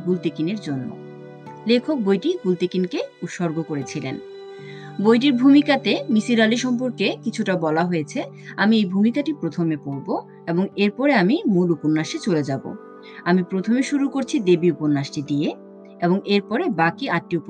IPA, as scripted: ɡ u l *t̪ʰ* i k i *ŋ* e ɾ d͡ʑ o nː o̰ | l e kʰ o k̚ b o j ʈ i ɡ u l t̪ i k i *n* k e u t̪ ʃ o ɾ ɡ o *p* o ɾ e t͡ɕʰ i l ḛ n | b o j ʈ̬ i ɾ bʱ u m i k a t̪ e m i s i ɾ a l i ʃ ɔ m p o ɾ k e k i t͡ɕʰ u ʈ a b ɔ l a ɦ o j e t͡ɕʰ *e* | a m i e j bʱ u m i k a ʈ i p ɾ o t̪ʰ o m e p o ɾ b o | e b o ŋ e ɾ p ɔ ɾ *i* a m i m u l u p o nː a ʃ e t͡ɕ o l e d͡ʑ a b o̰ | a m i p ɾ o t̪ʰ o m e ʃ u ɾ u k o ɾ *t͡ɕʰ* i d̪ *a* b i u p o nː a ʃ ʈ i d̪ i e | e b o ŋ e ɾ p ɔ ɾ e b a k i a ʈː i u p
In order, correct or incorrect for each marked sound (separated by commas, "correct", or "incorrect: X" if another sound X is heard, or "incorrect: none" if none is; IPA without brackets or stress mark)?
incorrect: t̪, incorrect: n, correct, incorrect: k, correct, incorrect: e, correct, incorrect: e